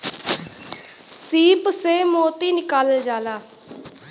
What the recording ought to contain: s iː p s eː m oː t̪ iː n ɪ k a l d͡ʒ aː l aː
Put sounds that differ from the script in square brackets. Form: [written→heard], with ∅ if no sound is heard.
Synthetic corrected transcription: s iː p s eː m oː t̪ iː n ɪ k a l d͡ʒ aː l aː

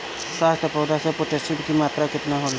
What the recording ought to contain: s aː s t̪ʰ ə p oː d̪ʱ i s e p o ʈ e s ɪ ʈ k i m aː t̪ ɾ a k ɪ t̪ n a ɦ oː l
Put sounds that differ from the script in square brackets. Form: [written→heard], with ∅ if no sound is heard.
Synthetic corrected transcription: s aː s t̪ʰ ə p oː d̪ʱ [i→a] s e p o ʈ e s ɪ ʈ k i m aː t̪ ɾ a k ɪ t̪ n a ɦ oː l

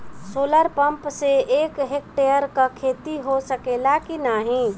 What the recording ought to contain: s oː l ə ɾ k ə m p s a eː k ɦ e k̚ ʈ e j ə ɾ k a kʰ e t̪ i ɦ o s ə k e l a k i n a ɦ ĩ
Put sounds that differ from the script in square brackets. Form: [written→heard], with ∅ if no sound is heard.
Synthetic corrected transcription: s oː l ə ɾ [k→p] ə m p s [a→e] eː k ɦ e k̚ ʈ e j ə ɾ k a kʰ e t̪ i ɦ o s ə k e l a k i n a ɦ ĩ

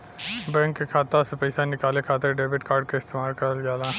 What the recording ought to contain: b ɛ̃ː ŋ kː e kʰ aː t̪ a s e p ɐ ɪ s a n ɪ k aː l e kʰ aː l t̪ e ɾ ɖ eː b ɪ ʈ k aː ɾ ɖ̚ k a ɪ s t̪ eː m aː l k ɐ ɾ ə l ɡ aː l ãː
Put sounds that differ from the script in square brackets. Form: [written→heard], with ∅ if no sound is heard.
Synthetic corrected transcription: b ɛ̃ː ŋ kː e kʰ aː t̪ a s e p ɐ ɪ s a n ɪ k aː l e kʰ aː [l→∅] t̪ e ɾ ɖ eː b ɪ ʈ k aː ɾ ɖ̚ k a ɪ s t̪ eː m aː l k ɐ ɾ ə l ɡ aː l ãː

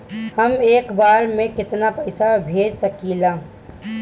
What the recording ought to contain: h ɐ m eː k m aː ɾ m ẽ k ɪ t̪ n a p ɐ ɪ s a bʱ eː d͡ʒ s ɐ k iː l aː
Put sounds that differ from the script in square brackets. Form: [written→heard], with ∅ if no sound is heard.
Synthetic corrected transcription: h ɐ m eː k [m→b] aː ɾ m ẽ k ɪ t̪ n a p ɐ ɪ s a bʱ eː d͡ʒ s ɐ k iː l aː

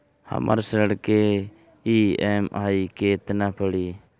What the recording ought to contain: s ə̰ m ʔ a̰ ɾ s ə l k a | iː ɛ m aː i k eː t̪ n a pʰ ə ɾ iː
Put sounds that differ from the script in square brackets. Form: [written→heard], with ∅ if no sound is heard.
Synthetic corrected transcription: [s→h] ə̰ m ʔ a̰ ɾ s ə [l→ɽ] k [a→e] | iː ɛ m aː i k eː t̪ n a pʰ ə [ɾ→ɽ] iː

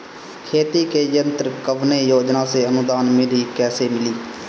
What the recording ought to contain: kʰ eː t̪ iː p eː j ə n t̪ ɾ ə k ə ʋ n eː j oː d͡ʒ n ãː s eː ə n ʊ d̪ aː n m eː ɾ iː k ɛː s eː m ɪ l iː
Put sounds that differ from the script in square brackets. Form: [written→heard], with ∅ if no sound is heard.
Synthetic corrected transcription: kʰ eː t̪ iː [p→k] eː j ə n t̪ ɾ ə k ə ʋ n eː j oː d͡ʒ n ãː s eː ə n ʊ d̪ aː n m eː ɾ iː k ɛː s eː m ɪ l iː

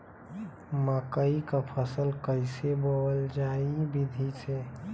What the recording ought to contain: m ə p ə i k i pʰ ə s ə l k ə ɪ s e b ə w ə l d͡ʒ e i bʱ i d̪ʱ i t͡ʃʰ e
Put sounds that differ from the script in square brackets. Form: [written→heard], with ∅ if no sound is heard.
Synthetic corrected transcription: m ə [p→k] ə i k [i→a] pʰ ə s ə l k ə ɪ s e b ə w ə l d͡ʒ [e→a] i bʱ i d̪ʱ i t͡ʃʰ e

